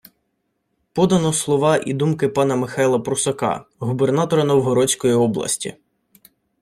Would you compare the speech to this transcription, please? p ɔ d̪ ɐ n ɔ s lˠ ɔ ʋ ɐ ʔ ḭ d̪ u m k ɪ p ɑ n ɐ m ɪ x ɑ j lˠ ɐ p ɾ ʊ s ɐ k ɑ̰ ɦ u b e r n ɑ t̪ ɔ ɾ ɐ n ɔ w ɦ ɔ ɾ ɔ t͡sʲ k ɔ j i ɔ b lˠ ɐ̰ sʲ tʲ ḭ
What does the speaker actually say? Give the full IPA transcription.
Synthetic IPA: p ɔ d̪ ɐ n ɔ s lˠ ɔ ʋ ɑ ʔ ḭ d̪ u m k ɪ p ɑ n ɐ m ɪ x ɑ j lˠ ɐ p ɾ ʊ s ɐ k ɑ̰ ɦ u b e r n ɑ t̪ ɔ ɾ ɐ n ɔ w ɦ ɔ ɾ ɔ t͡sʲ k ɔ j i ɔ b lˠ ɐ̰ sʲ tʲ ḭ